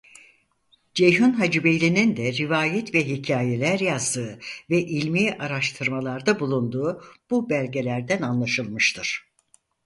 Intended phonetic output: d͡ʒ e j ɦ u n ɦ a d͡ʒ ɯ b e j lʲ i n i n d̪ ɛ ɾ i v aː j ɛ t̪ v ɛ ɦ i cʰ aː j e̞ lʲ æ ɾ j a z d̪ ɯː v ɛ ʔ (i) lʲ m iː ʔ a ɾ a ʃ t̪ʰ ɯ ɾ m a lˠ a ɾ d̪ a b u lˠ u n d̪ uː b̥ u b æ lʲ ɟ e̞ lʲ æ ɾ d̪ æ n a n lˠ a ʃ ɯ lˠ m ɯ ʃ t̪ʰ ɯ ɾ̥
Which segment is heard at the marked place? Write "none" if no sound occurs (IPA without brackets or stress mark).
i